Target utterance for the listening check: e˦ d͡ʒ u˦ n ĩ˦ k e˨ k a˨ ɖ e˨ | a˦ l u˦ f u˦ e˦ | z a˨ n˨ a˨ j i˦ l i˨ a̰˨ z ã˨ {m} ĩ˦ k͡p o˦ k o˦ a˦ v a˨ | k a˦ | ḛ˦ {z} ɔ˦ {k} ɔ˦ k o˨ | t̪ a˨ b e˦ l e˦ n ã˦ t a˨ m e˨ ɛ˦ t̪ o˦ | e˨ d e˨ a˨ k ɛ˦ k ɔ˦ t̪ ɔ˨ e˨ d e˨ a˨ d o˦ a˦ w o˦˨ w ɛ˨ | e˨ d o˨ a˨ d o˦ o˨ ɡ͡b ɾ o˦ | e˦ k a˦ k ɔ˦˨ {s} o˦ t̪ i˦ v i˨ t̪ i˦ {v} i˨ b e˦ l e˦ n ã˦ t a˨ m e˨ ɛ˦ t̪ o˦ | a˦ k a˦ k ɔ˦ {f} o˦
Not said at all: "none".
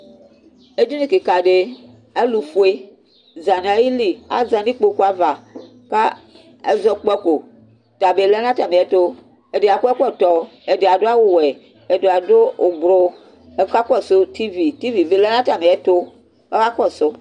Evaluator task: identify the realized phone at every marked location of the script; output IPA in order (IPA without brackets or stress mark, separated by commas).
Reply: n, z, k͡p, s, v, s